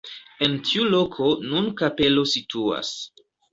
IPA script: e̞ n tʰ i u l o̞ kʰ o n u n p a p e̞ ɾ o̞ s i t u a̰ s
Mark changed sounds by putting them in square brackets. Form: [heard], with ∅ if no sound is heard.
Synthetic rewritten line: e̞ n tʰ i u l o̞ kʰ o n u n [k] a p e̞ [l] o̞ s i t u a̰ s